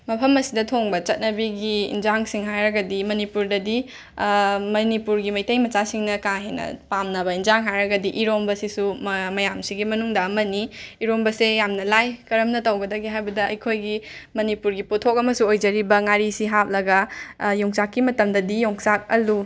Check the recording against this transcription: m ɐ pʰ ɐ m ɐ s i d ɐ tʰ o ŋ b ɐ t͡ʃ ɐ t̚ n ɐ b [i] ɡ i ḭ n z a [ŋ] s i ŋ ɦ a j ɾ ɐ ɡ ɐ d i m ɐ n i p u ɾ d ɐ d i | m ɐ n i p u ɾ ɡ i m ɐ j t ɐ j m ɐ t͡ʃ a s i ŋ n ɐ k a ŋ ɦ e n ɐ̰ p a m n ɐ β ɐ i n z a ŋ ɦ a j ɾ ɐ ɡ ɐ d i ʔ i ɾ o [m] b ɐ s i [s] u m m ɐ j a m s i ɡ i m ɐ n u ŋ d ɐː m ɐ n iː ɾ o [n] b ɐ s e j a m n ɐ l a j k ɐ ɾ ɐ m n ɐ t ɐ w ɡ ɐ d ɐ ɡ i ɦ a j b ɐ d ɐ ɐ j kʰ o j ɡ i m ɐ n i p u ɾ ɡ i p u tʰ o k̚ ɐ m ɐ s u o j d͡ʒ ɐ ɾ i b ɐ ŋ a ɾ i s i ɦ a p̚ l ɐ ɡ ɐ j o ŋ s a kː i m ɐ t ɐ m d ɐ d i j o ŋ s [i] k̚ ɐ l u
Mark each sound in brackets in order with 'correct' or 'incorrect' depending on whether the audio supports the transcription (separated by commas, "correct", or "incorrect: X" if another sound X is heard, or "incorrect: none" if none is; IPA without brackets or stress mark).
correct, correct, correct, correct, incorrect: m, incorrect: a